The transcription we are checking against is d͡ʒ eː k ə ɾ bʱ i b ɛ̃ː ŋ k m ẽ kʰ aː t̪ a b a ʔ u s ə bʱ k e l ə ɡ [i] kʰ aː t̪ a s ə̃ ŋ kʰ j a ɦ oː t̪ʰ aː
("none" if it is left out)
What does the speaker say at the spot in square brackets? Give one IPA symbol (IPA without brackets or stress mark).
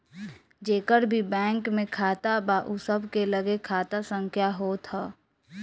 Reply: e